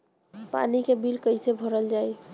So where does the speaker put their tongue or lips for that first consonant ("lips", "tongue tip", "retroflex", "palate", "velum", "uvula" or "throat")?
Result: lips